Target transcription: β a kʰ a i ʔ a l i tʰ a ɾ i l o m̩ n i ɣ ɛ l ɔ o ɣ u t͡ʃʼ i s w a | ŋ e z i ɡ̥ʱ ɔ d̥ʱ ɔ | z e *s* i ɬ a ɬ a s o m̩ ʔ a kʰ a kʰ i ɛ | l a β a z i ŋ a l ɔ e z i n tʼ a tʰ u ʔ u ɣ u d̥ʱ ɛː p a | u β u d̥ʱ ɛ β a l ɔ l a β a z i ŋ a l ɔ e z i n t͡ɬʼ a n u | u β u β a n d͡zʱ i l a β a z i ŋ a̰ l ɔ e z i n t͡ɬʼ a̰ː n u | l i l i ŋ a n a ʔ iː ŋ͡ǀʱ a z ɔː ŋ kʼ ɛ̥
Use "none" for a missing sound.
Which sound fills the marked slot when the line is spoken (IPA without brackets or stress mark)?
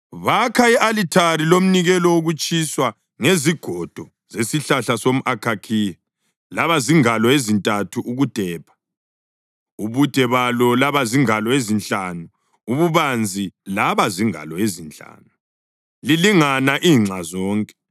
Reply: s